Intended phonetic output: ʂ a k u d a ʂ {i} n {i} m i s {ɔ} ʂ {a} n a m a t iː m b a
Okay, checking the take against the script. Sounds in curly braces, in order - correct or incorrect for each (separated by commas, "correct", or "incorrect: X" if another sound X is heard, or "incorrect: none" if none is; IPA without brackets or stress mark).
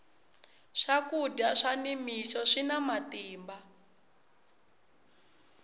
incorrect: a, correct, correct, incorrect: i